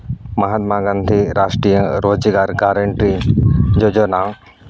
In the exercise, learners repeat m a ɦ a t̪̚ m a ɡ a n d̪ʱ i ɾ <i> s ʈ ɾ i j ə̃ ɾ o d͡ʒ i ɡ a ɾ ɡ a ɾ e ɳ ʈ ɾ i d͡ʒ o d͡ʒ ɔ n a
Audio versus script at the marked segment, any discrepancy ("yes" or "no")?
yes